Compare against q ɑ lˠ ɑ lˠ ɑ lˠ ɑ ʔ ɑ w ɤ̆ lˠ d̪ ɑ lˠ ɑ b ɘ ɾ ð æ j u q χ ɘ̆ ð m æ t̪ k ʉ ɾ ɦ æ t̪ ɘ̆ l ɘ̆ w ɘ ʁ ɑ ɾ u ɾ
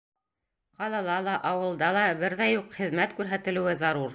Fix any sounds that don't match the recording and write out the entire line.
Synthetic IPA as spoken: q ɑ lˠ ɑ lˠ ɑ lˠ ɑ ʔ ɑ w ɤ̆ lˠ d̪ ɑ lˠ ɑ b ɘ ɾ ð æ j u q χ ɘ̆ ð m æ t̪ k ʉ ɾ ɦ æ t̪ ɘ̆ l ɘ̆ w ɘ z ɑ ɾ u ɾ